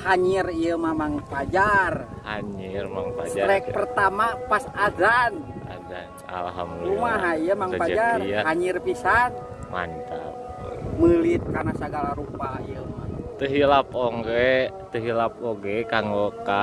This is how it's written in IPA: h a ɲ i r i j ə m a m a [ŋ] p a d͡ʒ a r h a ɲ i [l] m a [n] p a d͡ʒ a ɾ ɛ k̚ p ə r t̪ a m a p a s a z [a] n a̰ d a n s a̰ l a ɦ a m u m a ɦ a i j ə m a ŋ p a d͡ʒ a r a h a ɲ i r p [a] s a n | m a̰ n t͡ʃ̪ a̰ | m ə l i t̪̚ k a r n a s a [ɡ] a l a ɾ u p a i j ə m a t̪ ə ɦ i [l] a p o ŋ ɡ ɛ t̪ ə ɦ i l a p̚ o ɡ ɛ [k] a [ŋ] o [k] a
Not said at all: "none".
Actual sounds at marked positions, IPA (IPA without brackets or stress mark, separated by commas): ŋ, r, ŋ, a, i, ɡ, l, k, ŋ, k